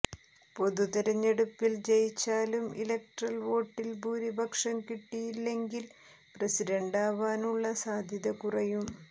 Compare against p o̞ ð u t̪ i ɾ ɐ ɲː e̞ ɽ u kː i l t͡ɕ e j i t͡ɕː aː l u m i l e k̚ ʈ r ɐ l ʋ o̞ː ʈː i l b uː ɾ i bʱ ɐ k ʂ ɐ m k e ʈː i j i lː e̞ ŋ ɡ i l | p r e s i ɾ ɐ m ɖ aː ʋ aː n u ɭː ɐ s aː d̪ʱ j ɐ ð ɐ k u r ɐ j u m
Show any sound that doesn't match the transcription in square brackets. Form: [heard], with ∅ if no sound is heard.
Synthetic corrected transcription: p o̞ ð u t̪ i ɾ ɐ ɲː e̞ ɽ u [pː] i l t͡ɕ e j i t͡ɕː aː l u m i l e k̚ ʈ r ɐ l ʋ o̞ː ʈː i l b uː ɾ i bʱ ɐ k ʂ ɐ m k [i] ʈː i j i lː e̞ ŋ ɡ i l | p r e s i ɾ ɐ [ɳ] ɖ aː ʋ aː n u ɭː ɐ s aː d̪ʱ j ɐ ð ɐ k u r ɐ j u m